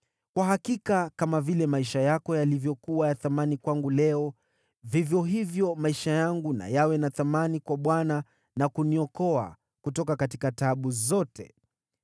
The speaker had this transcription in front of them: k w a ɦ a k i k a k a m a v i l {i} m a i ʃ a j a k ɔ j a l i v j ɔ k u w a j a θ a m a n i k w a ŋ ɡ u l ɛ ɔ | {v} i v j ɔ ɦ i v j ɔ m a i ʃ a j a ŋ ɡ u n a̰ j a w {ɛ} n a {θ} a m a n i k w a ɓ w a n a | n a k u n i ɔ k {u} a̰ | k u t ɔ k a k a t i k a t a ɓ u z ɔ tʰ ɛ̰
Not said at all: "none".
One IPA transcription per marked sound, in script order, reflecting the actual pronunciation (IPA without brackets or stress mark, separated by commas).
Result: ɛ, v, ɛ, θ, ɔ